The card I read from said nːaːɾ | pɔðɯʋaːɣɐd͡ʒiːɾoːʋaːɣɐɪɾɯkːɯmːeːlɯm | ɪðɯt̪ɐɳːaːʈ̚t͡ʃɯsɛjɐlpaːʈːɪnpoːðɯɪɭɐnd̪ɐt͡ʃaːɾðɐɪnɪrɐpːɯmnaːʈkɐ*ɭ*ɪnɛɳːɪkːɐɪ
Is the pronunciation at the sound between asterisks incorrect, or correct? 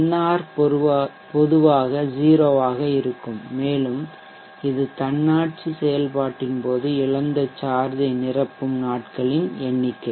correct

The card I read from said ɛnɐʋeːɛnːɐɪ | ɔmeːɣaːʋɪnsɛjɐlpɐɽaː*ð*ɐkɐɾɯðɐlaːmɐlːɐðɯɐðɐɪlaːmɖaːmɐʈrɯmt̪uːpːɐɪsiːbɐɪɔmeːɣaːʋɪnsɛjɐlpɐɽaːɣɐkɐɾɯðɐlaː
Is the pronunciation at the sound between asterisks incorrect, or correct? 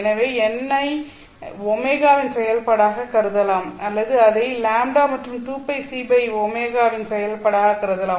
incorrect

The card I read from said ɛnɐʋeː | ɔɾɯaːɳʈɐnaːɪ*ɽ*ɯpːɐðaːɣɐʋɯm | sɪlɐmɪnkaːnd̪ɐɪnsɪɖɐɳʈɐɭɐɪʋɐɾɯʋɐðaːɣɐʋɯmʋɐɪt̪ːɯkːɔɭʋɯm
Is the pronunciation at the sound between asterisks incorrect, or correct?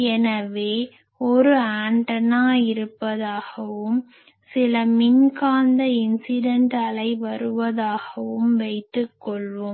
incorrect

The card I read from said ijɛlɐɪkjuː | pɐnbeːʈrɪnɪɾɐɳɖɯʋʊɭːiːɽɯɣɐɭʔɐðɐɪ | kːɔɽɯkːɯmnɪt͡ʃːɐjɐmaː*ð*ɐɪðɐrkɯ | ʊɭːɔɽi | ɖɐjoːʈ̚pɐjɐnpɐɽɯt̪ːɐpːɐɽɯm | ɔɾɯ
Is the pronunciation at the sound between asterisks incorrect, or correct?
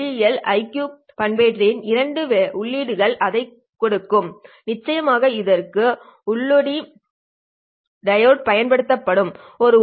incorrect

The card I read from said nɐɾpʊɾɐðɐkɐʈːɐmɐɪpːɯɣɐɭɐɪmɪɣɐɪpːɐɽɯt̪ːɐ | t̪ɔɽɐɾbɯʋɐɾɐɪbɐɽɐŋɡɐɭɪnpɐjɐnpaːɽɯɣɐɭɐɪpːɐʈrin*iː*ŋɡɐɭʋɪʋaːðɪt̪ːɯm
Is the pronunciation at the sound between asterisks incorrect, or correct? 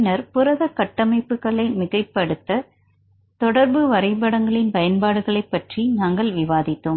incorrect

